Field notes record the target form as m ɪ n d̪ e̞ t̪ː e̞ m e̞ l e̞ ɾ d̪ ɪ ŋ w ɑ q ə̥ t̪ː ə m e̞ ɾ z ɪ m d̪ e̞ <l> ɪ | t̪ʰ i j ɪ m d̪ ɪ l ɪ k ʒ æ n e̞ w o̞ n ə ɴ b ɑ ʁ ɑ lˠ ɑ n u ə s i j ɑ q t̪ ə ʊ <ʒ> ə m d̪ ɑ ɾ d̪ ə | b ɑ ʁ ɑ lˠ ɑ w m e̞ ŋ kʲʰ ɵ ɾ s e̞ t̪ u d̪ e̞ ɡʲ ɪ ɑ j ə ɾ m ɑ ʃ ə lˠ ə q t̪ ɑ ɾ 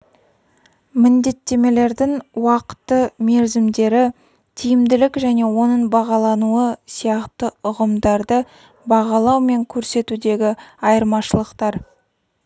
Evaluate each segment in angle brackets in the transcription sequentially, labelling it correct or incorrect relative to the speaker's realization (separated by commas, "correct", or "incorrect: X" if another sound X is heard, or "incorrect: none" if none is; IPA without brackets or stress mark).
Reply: incorrect: ɾ, incorrect: ʁ